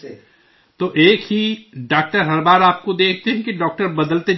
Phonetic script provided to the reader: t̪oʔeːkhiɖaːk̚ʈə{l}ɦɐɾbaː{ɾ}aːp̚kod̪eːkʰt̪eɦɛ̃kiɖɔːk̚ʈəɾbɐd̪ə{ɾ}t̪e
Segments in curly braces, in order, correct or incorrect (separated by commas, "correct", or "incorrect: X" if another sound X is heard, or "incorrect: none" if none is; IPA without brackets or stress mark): incorrect: ɾ, correct, incorrect: l